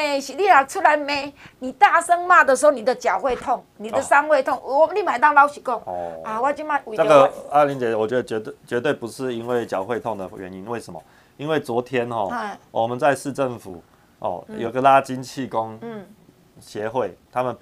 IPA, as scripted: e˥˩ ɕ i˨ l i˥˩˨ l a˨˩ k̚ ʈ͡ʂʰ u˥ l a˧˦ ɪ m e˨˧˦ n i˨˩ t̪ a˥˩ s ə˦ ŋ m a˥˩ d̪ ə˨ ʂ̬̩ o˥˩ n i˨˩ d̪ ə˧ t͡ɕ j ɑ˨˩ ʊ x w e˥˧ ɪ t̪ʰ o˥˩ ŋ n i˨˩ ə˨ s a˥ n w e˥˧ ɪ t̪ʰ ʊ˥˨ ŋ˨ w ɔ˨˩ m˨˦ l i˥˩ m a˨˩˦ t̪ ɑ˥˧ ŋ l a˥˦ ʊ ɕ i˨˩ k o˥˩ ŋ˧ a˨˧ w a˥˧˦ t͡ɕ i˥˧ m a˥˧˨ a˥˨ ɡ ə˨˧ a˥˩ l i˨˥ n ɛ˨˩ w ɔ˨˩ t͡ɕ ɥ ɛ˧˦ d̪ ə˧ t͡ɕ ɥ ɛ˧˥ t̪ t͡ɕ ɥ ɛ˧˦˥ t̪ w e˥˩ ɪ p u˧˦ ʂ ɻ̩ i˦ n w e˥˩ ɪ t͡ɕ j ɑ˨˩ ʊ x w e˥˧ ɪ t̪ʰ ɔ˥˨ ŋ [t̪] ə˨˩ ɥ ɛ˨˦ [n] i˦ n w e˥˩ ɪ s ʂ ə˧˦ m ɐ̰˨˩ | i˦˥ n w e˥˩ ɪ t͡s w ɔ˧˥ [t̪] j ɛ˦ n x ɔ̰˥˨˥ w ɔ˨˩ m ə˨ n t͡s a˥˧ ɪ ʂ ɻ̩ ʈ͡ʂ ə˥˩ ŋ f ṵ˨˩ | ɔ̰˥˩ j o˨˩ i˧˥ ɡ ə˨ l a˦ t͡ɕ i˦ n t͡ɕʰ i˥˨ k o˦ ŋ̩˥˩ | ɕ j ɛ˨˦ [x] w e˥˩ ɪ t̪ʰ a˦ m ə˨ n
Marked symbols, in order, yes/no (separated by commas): no, yes, no, yes